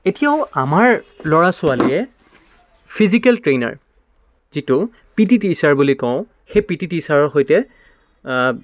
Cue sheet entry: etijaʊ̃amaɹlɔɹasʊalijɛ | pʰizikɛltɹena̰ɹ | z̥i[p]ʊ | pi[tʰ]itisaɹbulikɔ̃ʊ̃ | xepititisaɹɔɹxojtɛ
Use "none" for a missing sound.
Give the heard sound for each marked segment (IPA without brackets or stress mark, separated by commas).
t, t